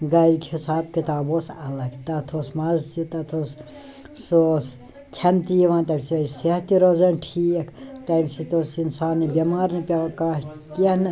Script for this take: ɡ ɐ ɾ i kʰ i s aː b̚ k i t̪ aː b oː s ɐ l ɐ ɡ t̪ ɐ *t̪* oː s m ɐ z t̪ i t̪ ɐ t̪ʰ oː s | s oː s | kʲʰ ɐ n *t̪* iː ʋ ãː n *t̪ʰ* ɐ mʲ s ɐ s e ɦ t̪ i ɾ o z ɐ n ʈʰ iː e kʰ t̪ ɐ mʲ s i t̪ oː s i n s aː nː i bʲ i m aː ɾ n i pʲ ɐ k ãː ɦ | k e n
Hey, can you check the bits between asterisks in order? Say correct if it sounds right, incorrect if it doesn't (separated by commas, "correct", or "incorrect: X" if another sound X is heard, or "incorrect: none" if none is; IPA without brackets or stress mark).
incorrect: t̪ʰ, correct, incorrect: t̪